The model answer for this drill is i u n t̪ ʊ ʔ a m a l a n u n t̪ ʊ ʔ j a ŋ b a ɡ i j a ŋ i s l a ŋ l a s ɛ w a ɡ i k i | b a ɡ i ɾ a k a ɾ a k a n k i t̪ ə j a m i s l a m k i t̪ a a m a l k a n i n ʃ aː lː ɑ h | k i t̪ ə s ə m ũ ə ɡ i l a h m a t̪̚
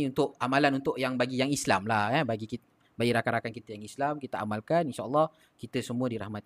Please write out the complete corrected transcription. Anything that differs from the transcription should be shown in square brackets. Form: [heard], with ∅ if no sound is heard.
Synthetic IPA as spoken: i u n t̪ ʊ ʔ a m a l a n u n t̪ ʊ ʔ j a ŋ b a ɡ i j a ŋ i s l a [m] l a [h] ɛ [b] a ɡ i k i | b a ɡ i ɾ a k a ɾ a k a n k i t̪ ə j a [ŋ] i s l a m k i t̪ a a m a l k a n i n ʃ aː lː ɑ h | k i t̪ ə s ə m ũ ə [d] i [ɾ] a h m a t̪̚